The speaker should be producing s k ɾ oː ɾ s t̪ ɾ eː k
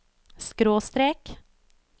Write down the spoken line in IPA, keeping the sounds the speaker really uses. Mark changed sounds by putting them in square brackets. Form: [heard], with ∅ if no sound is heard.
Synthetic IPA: s k ɾ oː [∅] s t̪ ɾ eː k